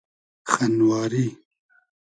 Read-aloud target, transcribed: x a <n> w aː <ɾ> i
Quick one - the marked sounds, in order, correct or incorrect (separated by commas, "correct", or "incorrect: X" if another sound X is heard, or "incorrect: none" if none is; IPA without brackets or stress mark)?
correct, correct